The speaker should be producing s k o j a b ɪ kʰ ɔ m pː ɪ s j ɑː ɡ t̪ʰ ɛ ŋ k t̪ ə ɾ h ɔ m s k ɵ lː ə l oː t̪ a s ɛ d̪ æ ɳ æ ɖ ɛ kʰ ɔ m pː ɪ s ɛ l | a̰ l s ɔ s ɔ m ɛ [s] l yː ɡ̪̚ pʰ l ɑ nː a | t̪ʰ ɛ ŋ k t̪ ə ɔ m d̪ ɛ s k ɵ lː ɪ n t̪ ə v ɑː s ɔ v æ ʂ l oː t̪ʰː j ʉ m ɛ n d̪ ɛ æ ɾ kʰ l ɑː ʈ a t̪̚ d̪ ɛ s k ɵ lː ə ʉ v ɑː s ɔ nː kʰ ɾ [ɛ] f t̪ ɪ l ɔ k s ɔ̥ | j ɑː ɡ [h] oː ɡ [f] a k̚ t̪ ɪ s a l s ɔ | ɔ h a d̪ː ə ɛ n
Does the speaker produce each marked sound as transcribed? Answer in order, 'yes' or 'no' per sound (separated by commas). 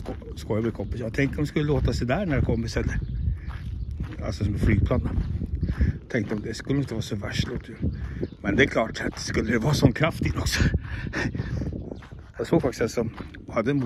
no, no, no, yes